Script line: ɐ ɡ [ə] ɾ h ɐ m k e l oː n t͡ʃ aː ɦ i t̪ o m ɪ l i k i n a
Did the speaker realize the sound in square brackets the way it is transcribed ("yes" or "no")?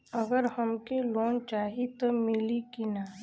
yes